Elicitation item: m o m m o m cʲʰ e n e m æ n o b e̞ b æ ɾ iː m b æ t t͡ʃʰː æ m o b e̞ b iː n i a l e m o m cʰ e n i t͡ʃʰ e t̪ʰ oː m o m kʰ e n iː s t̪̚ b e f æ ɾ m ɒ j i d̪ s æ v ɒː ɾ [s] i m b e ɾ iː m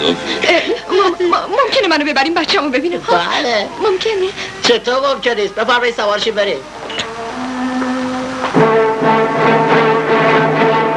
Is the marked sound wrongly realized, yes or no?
yes